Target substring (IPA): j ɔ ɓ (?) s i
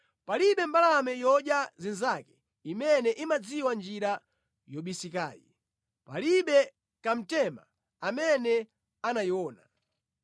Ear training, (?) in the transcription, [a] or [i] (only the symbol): i